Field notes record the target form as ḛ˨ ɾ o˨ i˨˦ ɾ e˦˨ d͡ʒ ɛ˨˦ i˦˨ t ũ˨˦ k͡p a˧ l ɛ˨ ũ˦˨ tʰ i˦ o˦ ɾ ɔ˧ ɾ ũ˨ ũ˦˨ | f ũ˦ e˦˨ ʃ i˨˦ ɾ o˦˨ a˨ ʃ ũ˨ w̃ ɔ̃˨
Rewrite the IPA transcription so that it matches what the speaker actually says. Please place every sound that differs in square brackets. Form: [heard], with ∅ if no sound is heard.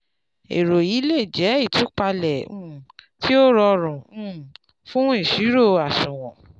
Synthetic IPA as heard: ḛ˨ ɾ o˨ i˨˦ [l] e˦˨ d͡ʒ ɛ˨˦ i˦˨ t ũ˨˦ k͡p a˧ l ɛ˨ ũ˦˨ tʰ i˦ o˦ ɾ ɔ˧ ɾ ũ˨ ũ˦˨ | f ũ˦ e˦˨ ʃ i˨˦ ɾ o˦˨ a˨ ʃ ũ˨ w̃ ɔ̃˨